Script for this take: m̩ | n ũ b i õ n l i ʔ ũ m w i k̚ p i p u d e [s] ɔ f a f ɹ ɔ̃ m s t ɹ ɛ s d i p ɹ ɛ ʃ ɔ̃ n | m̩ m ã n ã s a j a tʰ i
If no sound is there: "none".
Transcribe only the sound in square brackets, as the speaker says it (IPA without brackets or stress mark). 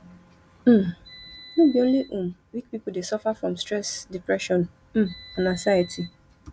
s